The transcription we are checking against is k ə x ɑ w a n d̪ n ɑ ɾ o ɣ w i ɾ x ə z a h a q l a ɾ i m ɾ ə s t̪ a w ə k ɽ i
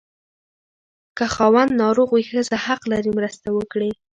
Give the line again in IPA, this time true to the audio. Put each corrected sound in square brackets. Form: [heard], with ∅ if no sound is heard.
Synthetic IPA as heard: k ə x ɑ w a n d̪ n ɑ ɾ o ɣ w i [∅] x ə z a h a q l a ɾ i m ɾ ə s t̪ a w ə k ɽ i